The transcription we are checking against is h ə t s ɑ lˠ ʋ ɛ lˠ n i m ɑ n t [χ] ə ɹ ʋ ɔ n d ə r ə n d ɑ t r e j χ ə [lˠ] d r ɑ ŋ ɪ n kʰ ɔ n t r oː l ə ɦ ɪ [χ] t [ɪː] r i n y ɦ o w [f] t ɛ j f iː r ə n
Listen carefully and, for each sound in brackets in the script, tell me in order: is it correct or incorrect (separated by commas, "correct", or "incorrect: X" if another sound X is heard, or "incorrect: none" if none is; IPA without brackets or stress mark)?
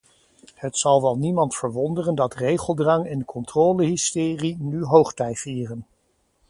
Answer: incorrect: f, correct, incorrect: s, correct, incorrect: χ